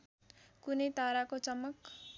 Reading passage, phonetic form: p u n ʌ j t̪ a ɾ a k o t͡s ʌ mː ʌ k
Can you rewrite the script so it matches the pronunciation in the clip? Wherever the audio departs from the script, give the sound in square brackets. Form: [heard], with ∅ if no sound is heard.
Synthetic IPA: [k] u n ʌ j t̪ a ɾ a k o t͡s ʌ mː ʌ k